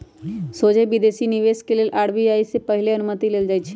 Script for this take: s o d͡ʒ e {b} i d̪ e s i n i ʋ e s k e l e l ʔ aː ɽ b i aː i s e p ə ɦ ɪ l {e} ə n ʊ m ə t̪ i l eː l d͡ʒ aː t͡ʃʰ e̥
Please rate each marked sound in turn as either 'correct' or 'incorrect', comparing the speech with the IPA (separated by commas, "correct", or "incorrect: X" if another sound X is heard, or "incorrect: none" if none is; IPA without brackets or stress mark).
correct, correct